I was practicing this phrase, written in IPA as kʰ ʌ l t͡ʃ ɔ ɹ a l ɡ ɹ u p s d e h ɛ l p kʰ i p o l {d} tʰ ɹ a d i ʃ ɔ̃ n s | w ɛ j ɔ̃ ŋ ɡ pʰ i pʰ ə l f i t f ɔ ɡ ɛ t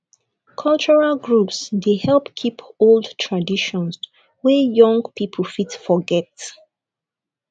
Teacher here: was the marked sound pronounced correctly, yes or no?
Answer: yes